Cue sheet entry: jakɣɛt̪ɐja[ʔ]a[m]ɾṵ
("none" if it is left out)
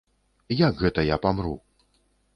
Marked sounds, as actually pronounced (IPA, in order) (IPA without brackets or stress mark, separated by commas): p, m